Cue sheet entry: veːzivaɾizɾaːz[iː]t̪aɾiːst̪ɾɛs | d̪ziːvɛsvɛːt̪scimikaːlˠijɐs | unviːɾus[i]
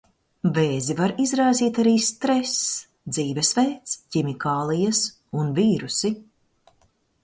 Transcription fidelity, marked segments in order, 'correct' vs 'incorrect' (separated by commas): correct, correct